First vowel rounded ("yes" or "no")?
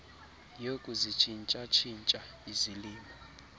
yes